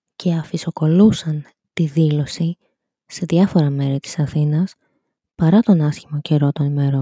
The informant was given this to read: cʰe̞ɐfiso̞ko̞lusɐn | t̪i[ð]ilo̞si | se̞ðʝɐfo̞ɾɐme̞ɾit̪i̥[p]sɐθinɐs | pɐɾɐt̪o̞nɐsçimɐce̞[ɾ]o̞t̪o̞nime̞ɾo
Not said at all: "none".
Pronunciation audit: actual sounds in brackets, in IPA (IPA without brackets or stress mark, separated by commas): ð, none, ɾ